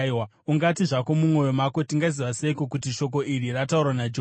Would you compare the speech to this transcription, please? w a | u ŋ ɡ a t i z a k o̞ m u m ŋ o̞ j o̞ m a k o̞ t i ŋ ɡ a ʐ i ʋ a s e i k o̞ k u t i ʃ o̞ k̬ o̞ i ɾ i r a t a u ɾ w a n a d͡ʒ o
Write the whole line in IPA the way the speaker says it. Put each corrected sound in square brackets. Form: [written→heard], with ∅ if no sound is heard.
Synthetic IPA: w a | u ŋ ɡ a t i [z→ʐ] a k o̞ m u m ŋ o̞ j o̞ m a k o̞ t i ŋ ɡ a [ʐ→z] i ʋ a s e i k o̞ k u t i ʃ o̞ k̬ o̞ i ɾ i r a t a u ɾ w a n a d͡ʒ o